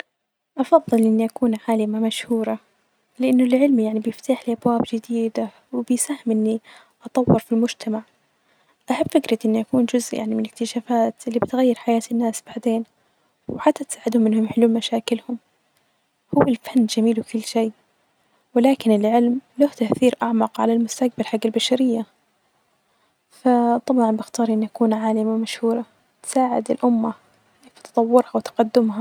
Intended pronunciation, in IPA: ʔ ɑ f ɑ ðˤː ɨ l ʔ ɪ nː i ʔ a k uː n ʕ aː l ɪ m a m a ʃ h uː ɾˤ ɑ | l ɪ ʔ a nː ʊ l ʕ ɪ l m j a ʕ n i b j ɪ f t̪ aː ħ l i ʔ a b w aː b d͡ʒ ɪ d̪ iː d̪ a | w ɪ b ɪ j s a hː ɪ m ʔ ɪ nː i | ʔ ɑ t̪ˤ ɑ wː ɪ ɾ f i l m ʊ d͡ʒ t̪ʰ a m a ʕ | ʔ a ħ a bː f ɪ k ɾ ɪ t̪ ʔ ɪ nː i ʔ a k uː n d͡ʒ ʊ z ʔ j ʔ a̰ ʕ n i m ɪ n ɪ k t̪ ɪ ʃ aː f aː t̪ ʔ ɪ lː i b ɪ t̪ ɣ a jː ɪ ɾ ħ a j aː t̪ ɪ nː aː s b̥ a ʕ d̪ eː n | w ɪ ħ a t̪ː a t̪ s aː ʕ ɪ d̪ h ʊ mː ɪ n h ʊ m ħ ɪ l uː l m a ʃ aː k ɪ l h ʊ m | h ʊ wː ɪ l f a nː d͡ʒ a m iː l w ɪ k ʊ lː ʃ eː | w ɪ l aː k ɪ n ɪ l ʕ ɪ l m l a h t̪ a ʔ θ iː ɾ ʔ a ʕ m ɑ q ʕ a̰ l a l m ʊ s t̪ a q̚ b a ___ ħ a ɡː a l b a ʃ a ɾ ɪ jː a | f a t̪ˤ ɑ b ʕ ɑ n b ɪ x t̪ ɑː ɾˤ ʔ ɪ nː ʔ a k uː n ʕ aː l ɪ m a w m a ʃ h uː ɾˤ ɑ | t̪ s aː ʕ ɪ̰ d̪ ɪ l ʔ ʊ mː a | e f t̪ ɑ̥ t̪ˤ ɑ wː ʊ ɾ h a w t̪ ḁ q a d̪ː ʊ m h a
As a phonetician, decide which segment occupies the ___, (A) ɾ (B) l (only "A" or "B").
B